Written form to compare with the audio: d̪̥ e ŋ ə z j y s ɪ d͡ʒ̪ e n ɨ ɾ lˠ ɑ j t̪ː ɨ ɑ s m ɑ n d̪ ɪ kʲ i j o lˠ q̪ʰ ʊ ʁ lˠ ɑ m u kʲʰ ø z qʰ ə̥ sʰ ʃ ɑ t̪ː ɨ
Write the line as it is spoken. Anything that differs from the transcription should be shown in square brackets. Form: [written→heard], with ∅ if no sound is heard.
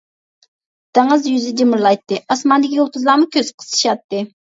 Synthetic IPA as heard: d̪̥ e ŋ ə z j y [s→z] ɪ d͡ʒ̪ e [n→m] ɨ ɾ lˠ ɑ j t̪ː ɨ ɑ s m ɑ n d̪ ɪ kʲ i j o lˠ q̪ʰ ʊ [ʁ→z] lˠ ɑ m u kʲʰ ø z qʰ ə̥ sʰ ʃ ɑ t̪ː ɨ